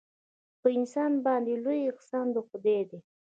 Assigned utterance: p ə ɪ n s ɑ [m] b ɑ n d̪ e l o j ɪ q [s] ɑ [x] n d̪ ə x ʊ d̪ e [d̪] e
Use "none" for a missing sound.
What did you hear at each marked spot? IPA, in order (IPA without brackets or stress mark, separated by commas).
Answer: n, s, none, d̪